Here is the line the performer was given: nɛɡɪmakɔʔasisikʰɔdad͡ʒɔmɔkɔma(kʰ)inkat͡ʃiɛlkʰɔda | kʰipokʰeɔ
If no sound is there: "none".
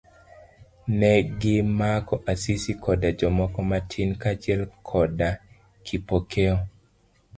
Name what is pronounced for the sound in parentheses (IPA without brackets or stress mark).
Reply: tʰ